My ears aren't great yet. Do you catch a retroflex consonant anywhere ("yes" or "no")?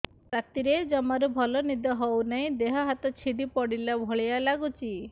yes